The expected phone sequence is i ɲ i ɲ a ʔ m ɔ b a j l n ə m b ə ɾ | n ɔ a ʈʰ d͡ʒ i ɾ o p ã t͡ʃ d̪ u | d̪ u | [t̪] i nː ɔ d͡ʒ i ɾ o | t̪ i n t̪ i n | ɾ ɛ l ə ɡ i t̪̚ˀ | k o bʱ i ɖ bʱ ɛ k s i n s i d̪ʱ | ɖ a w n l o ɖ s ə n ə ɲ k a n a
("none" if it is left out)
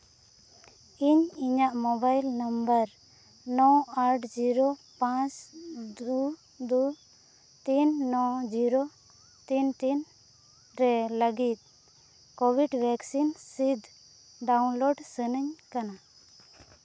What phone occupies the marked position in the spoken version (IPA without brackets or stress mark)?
t̪